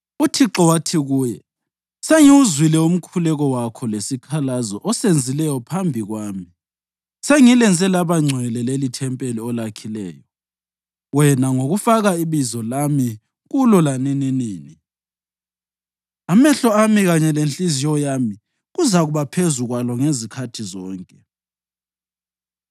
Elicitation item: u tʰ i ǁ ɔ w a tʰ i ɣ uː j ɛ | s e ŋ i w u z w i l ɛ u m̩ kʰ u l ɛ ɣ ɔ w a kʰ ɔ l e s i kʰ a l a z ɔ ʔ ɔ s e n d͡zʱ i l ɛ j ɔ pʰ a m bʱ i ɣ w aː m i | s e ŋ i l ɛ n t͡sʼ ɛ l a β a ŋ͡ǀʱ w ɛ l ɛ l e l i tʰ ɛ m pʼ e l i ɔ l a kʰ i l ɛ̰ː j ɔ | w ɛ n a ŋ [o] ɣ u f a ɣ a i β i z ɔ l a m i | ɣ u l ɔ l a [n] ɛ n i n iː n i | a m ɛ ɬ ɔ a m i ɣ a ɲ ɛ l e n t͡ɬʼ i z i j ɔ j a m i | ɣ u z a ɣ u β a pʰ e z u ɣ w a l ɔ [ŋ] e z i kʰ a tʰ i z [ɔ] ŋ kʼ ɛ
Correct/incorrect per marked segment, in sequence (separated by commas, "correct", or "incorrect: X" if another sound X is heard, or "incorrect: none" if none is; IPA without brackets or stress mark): correct, correct, correct, incorrect: ɔː